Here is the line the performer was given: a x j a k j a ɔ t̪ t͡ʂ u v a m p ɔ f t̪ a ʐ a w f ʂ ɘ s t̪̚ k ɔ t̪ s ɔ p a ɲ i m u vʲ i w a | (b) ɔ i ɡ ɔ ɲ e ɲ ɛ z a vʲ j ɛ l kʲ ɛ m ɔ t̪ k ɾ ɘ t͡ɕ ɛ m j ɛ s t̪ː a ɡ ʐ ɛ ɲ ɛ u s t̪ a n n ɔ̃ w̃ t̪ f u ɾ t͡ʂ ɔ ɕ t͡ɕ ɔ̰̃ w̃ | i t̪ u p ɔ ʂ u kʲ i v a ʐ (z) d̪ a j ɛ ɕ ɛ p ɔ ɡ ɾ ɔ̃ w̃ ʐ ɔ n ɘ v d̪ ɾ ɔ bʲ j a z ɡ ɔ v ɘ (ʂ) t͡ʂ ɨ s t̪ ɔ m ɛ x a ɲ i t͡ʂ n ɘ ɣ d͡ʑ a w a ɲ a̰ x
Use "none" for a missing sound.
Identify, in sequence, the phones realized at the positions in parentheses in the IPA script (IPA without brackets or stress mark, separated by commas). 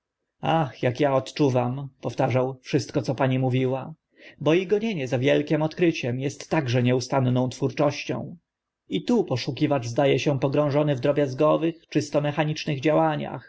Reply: b, z, x